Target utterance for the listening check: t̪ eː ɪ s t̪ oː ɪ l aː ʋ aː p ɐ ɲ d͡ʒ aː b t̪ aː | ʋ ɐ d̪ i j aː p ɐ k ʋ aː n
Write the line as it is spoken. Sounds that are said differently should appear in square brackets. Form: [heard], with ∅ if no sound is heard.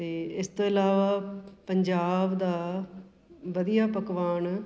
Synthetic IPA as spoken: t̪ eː ɪ s t̪ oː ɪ l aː ʋ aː p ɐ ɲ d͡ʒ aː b [d̪] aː | ʋ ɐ d̪ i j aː p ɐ k ʋ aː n

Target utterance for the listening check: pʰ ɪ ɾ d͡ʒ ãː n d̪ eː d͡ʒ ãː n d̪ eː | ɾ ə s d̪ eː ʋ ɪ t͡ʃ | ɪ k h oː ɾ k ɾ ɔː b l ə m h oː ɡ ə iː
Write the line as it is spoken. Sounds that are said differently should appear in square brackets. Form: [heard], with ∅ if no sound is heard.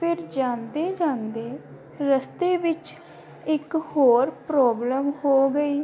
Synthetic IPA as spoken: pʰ ɪ ɾ d͡ʒ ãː n d̪ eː d͡ʒ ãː n d̪ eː | ɾ ə s [t̪] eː ʋ ɪ t͡ʃ | ɪ k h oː ɾ [p] ɾ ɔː b l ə m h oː ɡ ə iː

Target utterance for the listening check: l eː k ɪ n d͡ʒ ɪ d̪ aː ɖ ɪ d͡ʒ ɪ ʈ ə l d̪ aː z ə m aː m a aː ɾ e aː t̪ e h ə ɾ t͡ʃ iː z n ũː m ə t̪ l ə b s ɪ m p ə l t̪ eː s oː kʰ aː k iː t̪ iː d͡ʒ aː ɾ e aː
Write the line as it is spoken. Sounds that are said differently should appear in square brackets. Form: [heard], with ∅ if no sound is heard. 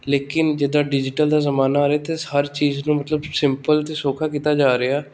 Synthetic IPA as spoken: l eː k ɪ n d͡ʒ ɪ d̪ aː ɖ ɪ d͡ʒ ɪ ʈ ə l d̪ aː z ə m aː [n] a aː ɾ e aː t̪ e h ə ɾ t͡ʃ iː z n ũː m ə t̪ l ə b s ɪ m p ə l t̪ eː s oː kʰ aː k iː t̪ [aː] d͡ʒ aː ɾ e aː

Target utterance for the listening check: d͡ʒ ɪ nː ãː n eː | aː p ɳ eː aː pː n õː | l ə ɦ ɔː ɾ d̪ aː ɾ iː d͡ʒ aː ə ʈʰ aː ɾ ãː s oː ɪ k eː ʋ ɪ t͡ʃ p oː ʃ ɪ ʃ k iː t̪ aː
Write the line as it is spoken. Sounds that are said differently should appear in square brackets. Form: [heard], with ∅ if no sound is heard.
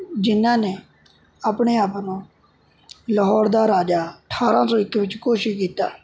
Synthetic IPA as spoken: d͡ʒ ɪ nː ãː n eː | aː p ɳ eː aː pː n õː | l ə ɦ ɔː ɾ d̪ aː ɾ [aː] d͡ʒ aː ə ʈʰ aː ɾ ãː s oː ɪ k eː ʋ ɪ t͡ʃ [k] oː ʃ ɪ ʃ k iː t̪ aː

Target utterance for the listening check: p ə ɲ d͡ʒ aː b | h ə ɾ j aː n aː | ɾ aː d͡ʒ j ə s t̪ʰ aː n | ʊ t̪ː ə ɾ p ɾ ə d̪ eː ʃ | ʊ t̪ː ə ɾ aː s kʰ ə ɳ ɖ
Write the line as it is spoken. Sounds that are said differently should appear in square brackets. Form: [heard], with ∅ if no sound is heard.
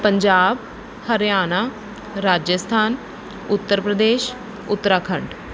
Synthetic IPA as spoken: p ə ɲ d͡ʒ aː b | h ə ɾ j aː n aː | ɾ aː d͡ʒ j ə s t̪ʰ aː n | ʊ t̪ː ə ɾ p ɾ ə d̪ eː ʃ | ʊ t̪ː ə ɾ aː [∅] kʰ ə ɳ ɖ

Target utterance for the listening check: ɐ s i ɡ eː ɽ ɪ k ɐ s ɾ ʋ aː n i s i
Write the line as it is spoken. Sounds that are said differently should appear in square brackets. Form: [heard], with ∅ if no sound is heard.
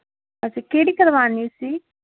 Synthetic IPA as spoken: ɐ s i [k] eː ɽ [i] k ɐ [∅] ɾ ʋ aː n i s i

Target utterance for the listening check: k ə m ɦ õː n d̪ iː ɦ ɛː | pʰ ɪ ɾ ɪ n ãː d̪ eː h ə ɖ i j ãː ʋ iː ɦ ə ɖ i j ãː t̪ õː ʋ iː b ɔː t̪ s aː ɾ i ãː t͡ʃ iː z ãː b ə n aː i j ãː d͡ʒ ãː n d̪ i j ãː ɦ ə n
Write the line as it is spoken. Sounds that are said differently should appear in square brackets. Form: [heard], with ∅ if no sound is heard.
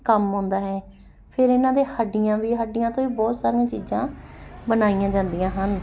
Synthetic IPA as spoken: k ə m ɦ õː n d̪ [aː] ɦ ɛː | pʰ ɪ ɾ ɪ n ãː d̪ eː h ə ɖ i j ãː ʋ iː ɦ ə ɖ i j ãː t̪ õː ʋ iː b ɔː t̪ s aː ɾ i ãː t͡ʃ iː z ãː b ə n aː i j ãː d͡ʒ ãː n d̪ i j ãː ɦ ə n

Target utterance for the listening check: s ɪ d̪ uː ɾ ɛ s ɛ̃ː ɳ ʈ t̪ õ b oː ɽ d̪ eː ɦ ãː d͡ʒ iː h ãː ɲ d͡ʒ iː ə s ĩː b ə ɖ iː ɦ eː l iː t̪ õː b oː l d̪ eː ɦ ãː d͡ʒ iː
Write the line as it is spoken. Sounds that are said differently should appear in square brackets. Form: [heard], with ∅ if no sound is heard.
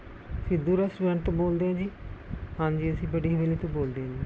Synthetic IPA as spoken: s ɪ d̪ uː ɾ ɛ s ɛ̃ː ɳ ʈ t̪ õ b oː [l] d̪ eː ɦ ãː d͡ʒ iː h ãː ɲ d͡ʒ iː ə s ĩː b ə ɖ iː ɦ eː l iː t̪ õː b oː l d̪ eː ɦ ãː d͡ʒ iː

